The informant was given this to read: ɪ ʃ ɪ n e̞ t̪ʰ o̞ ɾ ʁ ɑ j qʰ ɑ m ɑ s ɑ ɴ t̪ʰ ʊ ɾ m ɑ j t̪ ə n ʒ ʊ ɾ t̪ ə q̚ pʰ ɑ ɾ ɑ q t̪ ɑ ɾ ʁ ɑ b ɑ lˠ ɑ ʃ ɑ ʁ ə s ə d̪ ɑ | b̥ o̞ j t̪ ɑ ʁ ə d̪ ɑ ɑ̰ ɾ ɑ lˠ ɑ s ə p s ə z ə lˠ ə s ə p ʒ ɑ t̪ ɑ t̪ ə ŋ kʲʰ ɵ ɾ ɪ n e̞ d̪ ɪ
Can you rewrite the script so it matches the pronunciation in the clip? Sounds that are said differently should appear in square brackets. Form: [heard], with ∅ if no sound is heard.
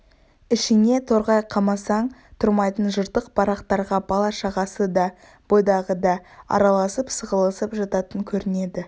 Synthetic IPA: ɪ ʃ ɪ n e̞ t̪ʰ o̞ ɾ ʁ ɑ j qʰ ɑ m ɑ s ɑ ɴ t̪ʰ ʊ ɾ m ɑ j t̪ ə n ʒ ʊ ɾ t̪ ə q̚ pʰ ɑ ɾ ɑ q t̪ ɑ ɾ ʁ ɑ b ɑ lˠ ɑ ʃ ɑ ʁ [ɑ] s ə d̪ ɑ | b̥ o̞ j [d̪] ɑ ʁ ə d̪ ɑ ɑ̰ ɾ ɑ lˠ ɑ s ə p s ə [ʁ] ə lˠ ə s ə p ʒ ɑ t̪ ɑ t̪ ə ŋ kʲʰ ɵ ɾ ɪ n e̞ d̪ ɪ

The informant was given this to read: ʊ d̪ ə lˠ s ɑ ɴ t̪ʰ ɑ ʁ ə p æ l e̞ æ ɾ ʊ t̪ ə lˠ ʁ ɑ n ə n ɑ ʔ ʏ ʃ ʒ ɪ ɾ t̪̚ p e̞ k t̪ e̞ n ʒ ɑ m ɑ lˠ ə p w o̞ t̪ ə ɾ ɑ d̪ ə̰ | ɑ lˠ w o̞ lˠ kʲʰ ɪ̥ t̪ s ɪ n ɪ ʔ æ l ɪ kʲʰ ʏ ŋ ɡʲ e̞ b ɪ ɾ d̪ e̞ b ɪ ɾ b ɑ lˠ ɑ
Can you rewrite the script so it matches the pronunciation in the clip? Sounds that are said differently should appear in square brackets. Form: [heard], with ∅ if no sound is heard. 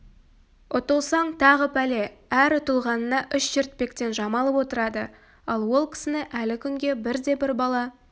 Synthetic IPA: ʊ [t̪] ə lˠ s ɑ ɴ t̪ʰ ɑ ʁ ə p æ l e̞ æ ɾ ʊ t̪ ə lˠ ʁ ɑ n ə n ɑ ʔ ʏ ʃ ʒ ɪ ɾ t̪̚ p e̞ k t̪ e̞ n ʒ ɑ m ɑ lˠ ə p w o̞ t̪ ə ɾ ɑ d̪ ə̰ | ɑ lˠ w o̞ lˠ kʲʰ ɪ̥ [∅] s ɪ n ɪ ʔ æ l ɪ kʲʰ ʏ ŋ ɡʲ e̞ b ɪ ɾ d̪ e̞ b ɪ ɾ b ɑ lˠ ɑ

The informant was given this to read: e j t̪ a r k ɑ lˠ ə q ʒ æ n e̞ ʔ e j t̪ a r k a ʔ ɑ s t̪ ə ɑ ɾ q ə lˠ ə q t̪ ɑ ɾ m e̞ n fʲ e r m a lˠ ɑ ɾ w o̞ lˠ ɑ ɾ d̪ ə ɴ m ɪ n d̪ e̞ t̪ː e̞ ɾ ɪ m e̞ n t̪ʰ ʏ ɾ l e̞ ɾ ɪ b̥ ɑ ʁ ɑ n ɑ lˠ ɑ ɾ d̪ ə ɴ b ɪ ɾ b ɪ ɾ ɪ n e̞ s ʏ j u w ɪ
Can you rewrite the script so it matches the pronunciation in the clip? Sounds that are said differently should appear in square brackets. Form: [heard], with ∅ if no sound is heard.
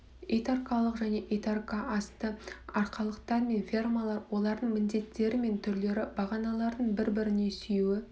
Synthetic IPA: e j t̪ a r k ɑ lˠ ə q ʒ æ n e̞ ʔ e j t̪ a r k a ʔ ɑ s t̪ ə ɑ ɾ q [ɑ] lˠ ə q t̪ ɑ ɾ m e̞ n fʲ e r m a lˠ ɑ ɾ w o̞ lˠ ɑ ɾ d̪ ə ɴ m ɪ n d̪ e̞ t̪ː e̞ ɾ ɪ m e̞ n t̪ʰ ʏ ɾ l e̞ ɾ ɪ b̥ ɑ ʁ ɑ n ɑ lˠ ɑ ɾ d̪ ə ɴ b ɪ ɾ b ɪ ɾ ɪ n e̞ s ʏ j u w ɪ

